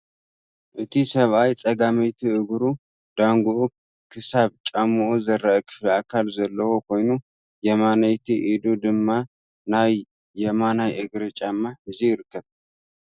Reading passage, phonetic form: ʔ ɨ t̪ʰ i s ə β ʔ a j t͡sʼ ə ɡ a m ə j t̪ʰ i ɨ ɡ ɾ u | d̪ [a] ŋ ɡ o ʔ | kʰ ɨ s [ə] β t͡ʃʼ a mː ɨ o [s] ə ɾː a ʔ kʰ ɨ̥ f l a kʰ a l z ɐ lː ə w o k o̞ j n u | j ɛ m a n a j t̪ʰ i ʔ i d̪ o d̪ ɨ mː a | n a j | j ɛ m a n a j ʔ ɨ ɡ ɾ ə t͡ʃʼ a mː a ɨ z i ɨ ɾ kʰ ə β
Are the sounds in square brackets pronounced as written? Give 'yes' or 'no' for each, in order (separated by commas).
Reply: yes, no, no